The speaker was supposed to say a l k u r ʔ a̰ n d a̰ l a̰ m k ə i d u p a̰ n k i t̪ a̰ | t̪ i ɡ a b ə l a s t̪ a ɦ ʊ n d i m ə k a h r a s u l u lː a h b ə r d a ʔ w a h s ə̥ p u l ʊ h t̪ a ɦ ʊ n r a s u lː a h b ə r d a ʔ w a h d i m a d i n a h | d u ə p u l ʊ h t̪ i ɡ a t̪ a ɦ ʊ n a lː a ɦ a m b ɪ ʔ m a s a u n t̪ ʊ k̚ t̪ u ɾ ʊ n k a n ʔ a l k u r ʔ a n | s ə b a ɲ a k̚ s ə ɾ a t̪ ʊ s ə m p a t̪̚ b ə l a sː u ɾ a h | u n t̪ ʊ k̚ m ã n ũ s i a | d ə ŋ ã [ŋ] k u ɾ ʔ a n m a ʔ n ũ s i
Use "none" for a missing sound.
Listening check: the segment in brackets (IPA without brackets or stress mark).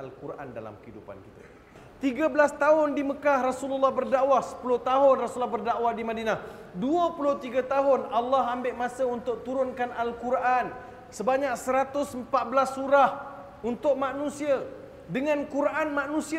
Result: n